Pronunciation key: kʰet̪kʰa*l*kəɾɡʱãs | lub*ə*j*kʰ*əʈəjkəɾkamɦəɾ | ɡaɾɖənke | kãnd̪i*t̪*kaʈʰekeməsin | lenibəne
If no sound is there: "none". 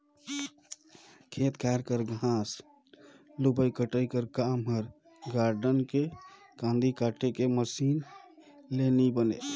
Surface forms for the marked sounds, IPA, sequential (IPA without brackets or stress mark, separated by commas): ɾ, ə, k, none